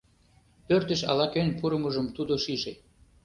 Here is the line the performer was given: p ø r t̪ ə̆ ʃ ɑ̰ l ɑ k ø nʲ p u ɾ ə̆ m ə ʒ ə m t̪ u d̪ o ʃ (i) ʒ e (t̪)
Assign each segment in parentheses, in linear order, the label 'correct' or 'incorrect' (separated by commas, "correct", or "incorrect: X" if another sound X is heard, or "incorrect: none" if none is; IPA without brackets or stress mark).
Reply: correct, incorrect: none